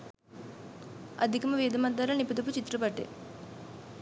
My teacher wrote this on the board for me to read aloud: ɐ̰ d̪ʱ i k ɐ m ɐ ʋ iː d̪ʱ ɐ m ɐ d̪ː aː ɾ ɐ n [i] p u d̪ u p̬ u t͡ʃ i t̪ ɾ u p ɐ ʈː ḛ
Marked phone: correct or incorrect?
correct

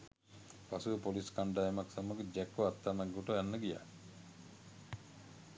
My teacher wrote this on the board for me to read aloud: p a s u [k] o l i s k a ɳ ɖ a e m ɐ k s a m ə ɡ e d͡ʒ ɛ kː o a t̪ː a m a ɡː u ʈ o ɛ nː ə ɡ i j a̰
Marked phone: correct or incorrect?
incorrect: p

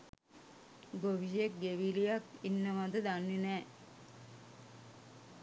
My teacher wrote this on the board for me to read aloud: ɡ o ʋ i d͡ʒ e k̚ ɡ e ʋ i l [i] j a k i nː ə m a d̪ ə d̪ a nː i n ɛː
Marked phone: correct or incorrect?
correct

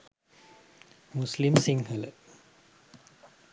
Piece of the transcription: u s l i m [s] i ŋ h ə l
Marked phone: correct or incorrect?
correct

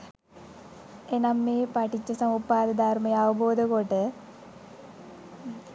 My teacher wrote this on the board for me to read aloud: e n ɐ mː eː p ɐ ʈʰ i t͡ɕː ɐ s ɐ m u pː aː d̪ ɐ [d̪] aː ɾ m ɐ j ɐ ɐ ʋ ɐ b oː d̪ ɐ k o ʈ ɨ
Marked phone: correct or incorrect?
correct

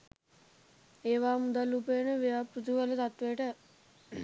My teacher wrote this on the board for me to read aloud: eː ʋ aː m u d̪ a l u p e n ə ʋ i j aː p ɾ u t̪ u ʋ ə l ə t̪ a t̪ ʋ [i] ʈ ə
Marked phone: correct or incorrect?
incorrect: e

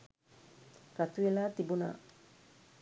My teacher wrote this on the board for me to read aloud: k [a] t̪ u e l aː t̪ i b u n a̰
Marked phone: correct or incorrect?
correct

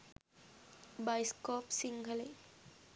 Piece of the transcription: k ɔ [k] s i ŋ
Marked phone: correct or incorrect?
incorrect: p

